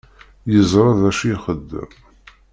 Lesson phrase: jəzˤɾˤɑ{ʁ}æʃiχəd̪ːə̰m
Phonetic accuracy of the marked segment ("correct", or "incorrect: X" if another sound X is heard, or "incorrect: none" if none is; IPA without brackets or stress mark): incorrect: ð